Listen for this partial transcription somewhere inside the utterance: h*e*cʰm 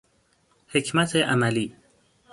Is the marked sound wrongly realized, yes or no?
no